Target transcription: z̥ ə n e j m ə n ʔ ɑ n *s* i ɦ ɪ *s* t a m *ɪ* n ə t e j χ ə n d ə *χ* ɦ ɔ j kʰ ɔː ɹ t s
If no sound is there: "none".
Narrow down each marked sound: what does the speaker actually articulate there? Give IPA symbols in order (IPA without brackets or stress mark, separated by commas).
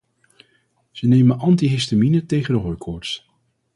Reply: t, s, i, none